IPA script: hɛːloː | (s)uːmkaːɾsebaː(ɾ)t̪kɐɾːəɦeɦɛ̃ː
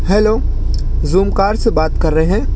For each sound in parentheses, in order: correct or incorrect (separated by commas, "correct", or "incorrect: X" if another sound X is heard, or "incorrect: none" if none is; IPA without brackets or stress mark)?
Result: incorrect: z, incorrect: none